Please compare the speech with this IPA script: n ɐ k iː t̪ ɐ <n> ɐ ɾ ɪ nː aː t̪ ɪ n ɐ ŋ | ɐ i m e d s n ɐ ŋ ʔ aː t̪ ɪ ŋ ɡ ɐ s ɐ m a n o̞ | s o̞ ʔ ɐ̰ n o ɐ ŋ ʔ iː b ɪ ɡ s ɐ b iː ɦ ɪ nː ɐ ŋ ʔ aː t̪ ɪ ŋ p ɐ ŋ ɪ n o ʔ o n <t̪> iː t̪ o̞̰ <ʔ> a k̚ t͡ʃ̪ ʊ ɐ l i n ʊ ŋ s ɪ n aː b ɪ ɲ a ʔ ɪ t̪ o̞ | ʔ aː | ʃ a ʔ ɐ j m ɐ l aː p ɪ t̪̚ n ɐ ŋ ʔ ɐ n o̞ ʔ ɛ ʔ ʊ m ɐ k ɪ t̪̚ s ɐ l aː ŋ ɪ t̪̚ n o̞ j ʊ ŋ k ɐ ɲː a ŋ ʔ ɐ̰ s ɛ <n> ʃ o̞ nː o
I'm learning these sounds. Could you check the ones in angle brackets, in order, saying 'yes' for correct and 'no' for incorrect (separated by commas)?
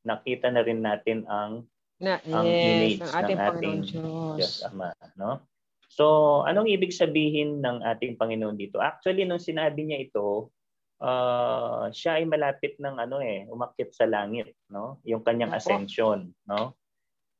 yes, no, yes, yes